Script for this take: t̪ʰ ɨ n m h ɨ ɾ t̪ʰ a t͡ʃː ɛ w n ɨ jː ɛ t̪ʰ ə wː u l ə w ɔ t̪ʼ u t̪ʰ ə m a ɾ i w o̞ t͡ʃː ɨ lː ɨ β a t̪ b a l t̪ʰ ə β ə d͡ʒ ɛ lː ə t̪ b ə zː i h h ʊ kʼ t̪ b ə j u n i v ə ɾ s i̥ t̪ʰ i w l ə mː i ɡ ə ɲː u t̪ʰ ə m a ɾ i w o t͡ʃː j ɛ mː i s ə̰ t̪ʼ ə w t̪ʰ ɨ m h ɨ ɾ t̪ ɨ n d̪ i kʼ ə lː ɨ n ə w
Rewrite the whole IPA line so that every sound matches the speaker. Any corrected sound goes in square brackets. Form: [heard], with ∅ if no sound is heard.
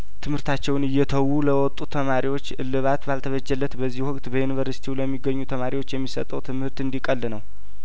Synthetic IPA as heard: t̪ʰ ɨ [∅] m h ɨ ɾ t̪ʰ a t͡ʃː ɛ w n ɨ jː ɛ t̪ʰ ə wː u l ə w ɔ t̪ʼ u t̪ʰ ə m a ɾ i w o̞ t͡ʃː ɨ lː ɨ β a t̪ b a l t̪ʰ ə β ə d͡ʒ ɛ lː ə t̪ b ə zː i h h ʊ kʼ t̪ b ə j u n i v ə ɾ s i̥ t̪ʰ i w l ə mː i ɡ ə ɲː u t̪ʰ ə m a ɾ i w o t͡ʃː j ɛ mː i s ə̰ t̪ʼ ə w t̪ʰ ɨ m h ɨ ɾ t̪ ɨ n d̪ i kʼ ə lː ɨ n ə w